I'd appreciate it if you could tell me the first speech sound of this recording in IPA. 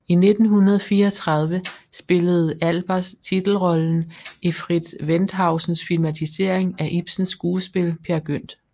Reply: i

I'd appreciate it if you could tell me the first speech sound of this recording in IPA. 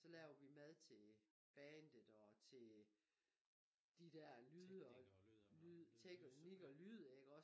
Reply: s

